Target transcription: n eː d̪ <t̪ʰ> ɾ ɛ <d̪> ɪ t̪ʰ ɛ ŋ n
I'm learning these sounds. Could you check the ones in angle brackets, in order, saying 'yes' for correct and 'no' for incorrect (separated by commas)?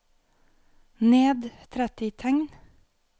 yes, no